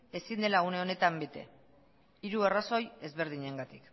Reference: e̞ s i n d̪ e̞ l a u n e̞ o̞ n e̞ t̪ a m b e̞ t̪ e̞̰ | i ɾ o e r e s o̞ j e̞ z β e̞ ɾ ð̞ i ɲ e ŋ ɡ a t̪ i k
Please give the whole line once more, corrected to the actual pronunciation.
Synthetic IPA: e̞ s i n d̪ e̞ l a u n e̞ o̞ n e̞ t̪ a m b e̞ t̪ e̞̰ | i ɾ u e r a s o̞ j e̞ z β e̞ ɾ ð̞ i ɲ e ŋ ɡ a t̪ i k